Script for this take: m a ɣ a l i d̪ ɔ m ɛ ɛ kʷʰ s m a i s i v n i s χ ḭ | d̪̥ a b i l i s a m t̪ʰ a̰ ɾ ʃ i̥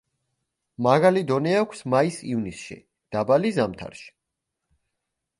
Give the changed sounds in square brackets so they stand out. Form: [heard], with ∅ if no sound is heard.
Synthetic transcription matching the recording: m a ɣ a l i d̪ ɔ [n] ɛ [a] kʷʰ s m a i s i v n i s [ʃ] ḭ | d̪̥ a b [a] l i [z] a m t̪ʰ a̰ ɾ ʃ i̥

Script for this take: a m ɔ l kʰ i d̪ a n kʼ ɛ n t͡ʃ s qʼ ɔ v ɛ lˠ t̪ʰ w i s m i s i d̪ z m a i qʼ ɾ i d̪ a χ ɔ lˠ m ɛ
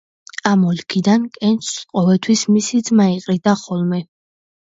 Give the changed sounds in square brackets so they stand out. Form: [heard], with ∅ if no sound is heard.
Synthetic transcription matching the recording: a m ɔ l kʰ i d̪ a n kʼ ɛ n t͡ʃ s qʼ ɔ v ɛ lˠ t̪ʰ w i s m i s i d̪ z m a i qʼ ɾ i d̪ a χ ɔ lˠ m ɛ

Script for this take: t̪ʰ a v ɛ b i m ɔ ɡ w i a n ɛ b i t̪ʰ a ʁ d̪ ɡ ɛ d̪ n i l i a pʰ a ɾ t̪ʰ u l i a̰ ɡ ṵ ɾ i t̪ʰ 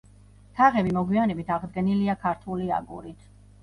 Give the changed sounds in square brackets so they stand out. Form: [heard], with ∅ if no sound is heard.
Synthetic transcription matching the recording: t̪ʰ a [ʁ] ɛ b i m ɔ ɡ w i a n ɛ b i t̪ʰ a ʁ d̪ ɡ ɛ [∅] n i l i a [kʰ] a ɾ t̪ʰ u l i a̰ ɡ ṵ ɾ i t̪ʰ

